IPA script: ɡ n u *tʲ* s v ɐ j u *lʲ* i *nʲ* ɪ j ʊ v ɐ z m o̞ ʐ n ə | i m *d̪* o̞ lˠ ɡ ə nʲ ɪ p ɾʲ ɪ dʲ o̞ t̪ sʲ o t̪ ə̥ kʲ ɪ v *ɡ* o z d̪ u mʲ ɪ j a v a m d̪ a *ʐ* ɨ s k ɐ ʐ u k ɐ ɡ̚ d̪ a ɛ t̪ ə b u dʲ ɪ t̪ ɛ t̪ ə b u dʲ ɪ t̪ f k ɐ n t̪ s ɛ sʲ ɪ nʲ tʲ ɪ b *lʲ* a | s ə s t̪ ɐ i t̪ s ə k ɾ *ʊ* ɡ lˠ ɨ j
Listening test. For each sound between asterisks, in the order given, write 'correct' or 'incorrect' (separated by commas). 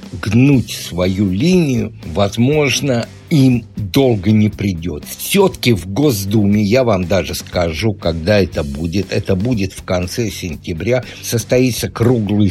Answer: correct, correct, correct, correct, correct, correct, incorrect, incorrect